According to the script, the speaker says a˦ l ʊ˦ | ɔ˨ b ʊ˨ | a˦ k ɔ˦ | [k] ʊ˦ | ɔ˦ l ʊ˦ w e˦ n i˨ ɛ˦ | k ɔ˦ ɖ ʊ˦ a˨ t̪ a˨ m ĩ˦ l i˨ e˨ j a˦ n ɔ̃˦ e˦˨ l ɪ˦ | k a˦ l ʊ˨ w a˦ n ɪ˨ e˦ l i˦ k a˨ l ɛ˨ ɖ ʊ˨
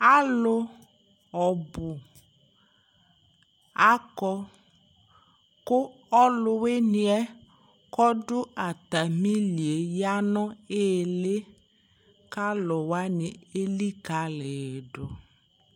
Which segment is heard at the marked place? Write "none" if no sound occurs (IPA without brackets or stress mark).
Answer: k